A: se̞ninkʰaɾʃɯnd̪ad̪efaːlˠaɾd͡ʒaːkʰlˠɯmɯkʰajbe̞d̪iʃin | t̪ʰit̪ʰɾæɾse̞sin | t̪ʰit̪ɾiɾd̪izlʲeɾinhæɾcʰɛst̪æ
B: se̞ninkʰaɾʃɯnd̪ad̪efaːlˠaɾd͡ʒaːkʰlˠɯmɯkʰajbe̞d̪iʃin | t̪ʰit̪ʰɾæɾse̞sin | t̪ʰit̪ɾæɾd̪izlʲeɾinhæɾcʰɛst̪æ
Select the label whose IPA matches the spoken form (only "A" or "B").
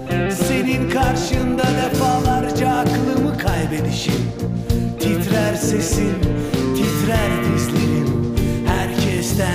B